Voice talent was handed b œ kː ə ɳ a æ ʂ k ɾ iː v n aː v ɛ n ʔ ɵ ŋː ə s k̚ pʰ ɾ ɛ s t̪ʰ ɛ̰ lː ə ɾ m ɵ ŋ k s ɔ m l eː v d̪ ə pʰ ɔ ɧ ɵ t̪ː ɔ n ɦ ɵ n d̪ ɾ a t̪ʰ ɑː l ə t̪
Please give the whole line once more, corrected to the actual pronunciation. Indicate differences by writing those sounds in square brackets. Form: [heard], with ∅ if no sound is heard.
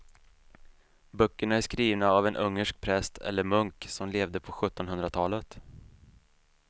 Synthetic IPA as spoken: b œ kː ə ɳ a æ ʂ k ɾ iː v n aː v ɛ n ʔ ɵ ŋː ə [ʂ] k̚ pʰ ɾ ɛ s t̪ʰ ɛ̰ lː ə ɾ m ɵ ŋ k s ɔ m l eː v d̪ ə pʰ ɔ ɧ ɵ t̪ː ɔ n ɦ ɵ n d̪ ɾ a t̪ʰ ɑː l ə t̪

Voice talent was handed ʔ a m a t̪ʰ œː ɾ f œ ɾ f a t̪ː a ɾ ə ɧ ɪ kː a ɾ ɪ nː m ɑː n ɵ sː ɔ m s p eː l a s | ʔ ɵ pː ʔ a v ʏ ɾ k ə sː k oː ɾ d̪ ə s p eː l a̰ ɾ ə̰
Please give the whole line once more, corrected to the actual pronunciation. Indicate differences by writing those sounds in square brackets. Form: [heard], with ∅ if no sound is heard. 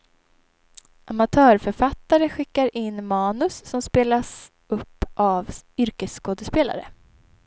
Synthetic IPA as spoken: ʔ a m a t̪ʰ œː ɾ f œ ɾ f a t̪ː a ɾ ə ɧ ɪ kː a ɾ ɪ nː m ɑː n ɵ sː ɔ m s p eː l a s | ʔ ɵ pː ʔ a v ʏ ɾ k ə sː k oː [∅] d̪ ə s p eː l a̰ ɾ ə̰

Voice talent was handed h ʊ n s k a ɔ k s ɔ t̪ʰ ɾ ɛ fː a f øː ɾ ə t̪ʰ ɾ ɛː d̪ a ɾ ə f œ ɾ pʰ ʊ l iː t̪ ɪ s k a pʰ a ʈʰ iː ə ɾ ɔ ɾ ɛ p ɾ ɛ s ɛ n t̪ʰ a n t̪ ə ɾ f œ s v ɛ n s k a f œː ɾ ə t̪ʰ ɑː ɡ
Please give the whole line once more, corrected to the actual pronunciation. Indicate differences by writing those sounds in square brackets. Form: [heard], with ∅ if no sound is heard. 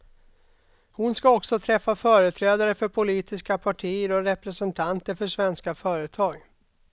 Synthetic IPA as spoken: h ʊ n s k a ɔ k s ɔ t̪ʰ ɾ ɛ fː a f [œː] ɾ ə t̪ʰ ɾ ɛː d̪ a ɾ ə f œ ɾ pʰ ʊ l iː t̪ ɪ s k a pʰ a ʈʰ iː ə ɾ ɔ ɾ ɛ p ɾ ɛ s ɛ n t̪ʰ a n t̪ ə ɾ f œ [ʂ] v ɛ n s k a f œː ɾ ə t̪ʰ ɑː ɡ

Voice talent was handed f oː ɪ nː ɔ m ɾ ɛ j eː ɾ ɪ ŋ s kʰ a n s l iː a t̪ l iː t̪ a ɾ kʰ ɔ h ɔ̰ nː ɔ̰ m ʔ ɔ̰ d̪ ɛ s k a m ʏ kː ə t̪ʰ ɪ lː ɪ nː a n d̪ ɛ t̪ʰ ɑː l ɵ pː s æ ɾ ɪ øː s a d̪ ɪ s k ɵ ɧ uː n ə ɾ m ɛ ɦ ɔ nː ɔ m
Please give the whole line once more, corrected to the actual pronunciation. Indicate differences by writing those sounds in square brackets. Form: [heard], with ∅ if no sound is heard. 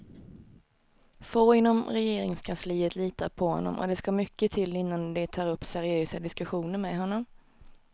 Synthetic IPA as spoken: f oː ɪ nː ɔ m ɾ ɛ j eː ɾ ɪ ŋ s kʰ a n s l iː [ə] t̪ l iː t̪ a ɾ [pʰ] ɔ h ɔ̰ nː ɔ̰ m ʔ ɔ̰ d̪ ɛ s k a m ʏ kː ə t̪ʰ ɪ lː ɪ nː a n d̪ ɛ t̪ʰ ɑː [ɾ] ɵ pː s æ ɾ ɪ øː s a d̪ ɪ s k ɵ ɧ uː n ə ɾ m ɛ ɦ ɔ nː ɔ m

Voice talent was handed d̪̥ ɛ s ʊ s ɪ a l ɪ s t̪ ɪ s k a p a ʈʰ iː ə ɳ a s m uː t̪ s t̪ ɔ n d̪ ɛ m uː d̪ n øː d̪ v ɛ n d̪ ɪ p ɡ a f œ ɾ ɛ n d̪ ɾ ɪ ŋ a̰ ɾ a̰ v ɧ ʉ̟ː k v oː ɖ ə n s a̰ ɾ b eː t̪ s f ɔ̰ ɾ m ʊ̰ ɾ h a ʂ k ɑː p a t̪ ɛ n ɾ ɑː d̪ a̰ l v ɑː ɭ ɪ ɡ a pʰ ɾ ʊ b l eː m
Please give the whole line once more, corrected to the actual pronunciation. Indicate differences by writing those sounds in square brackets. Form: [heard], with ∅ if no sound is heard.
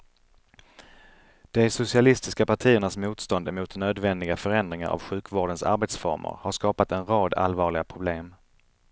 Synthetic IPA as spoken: d̪̥ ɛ s ʊ s ɪ a l ɪ s t̪ ɪ s k a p a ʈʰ iː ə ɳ a s m uː t̪ s t̪ ɔ n d̪ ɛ m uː [t̪] n øː d̪ v ɛ n d̪ ɪ [∅] ɡ a f œ ɾ ɛ n d̪ ɾ ɪ ŋ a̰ ɾ a̰ v ɧ ʉ̟ː k v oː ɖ ə n s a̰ ɾ b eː t̪ s f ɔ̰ ɾ m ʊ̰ ɾ h a ʂ k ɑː p a t̪ ɛ n ɾ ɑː d̪ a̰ l v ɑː ɭ ɪ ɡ a pʰ ɾ ʊ b l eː m

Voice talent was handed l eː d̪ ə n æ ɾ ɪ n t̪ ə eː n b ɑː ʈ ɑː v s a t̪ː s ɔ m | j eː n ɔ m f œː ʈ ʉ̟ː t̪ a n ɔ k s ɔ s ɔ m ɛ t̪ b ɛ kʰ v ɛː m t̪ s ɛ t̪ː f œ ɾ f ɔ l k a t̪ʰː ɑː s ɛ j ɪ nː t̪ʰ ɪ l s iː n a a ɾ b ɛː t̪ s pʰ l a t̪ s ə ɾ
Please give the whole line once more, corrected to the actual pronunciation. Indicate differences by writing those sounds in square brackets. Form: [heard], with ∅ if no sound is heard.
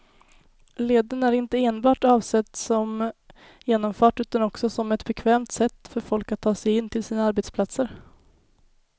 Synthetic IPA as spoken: l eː d̪ ə n æ ɾ ɪ n t̪ ə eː n b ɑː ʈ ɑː v s [ɛ] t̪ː s ɔ m | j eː n ɔ m f œː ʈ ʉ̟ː t̪ a n ɔ k s ɔ s ɔ m ɛ t̪ b ɛ kʰ v ɛː m t̪ s ɛ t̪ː f œ ɾ f ɔ l k a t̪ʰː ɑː s ɛ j ɪ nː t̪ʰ ɪ l s iː n a a ɾ b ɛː t̪ s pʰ l a t̪ s ə ɾ

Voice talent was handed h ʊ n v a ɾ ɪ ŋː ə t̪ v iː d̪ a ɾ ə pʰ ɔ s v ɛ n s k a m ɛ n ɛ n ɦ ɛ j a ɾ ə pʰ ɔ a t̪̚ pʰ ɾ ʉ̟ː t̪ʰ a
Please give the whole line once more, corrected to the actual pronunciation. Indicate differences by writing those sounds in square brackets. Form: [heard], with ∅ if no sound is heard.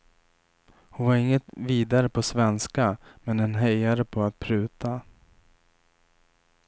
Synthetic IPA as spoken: h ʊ n v a ɾ ɪ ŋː ə t̪ v iː d̪ a ɾ ə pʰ ɔ s v ɛ n s k a m ɛ n ɛ n ɦ ɛ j a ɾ ə pʰ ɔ a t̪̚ pʰ ɾ ʉ̟ː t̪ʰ a

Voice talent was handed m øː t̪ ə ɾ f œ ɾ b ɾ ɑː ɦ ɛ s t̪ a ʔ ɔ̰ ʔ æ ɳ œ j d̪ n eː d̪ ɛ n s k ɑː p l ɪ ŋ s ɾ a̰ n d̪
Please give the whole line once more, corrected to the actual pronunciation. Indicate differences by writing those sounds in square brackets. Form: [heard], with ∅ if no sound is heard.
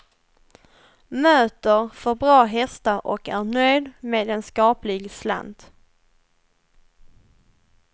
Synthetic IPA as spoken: m øː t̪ ə ɾ f œ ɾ b ɾ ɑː ɦ ɛ s t̪ a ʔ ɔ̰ [k] æ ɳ œ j d̪ [m] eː d̪ ɛ n s k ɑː p l ɪ [ɡ] s [l] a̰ n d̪

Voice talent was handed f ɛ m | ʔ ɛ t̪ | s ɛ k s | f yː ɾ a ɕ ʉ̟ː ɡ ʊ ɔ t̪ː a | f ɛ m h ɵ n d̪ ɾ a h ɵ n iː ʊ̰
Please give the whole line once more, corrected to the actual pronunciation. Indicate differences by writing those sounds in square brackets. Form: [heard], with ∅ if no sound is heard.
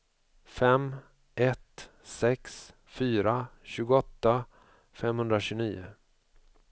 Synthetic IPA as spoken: f ɛ m | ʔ ɛ t̪ | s ɛ k s | f yː ɾ a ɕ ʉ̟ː ɡ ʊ ɔ t̪ː a | f ɛ m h ɵ n d̪ ɾ a [ɕ] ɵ n iː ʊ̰

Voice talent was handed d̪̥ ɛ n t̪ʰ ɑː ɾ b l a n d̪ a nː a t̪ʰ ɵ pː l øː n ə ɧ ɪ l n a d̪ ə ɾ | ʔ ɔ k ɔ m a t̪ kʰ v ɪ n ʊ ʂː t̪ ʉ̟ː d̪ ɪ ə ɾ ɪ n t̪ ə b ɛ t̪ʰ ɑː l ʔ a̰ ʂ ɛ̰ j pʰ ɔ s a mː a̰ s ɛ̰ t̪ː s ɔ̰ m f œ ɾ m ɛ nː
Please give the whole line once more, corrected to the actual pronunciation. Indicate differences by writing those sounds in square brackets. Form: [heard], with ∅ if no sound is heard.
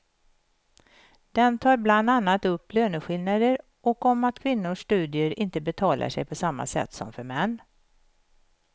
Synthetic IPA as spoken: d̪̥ ɛ n t̪ʰ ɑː ɾ b l a n d̪ a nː a [t̪] ɵ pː l øː n ə ɧ ɪ l n a d̪ ə ɾ | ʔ ɔ k ɔ m a t̪ kʰ v ɪ [nː] ʊ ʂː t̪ ʉ̟ː d̪ ɪ ə ɾ ɪ n t̪ ə b ɛ t̪ʰ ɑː l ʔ a̰ ʂ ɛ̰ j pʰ ɔ s a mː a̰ s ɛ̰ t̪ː s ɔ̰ m f œ ɾ m ɛ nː

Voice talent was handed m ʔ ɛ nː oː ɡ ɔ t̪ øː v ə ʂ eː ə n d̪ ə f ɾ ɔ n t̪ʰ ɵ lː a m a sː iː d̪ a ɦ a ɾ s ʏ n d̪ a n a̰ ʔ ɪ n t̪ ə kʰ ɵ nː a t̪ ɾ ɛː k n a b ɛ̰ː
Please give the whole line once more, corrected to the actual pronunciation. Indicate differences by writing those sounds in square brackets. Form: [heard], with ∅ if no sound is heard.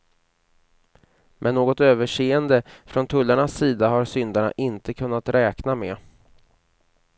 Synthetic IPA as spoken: m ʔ ɛ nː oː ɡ ɔ t̪ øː v ə ʂ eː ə n d̪ ə f ɾ ɔ n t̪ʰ ɵ lː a [ɳ] a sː iː d̪ a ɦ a ɾ s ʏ n d̪ a [ɳ] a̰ ʔ ɪ n t̪ ə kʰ ɵ nː a t̪ ɾ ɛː k n a [m] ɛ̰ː

